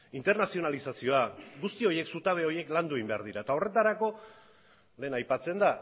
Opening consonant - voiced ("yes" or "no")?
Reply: yes